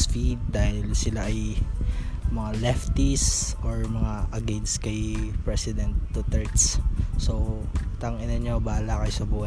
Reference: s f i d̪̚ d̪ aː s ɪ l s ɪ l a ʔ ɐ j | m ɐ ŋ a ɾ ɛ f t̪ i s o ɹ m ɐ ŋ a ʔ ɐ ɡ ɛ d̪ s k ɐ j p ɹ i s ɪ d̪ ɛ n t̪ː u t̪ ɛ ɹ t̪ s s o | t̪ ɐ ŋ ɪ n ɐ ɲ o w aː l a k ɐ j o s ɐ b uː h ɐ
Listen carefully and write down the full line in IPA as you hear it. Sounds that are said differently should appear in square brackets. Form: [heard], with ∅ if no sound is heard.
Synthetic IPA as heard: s f i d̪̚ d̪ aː [h] ɪ l s ɪ l a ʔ ɐ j | m ɐ ŋ a [l] ɛ f t̪ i s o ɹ m ɐ ŋ a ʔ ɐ ɡ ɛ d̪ s k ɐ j p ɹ [ɛ] s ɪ d̪ ɛ n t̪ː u t̪ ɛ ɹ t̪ s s o | t̪ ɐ ŋ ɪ n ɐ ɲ o [b] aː l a k ɐ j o s ɐ b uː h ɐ